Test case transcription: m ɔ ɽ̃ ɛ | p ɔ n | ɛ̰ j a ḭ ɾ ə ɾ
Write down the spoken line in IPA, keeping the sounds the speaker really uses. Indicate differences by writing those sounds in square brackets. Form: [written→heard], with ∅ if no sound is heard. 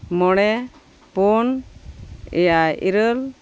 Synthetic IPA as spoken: m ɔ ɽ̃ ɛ | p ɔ n | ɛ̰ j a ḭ ɾ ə [ɾ→l]